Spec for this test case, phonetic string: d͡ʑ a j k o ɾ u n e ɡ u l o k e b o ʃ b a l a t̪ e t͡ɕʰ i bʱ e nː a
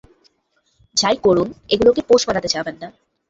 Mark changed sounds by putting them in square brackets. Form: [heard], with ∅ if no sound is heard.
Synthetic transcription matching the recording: d͡ʑ a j k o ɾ u n e ɡ u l o k e [p] o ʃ b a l a t̪ e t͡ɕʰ [a] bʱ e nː a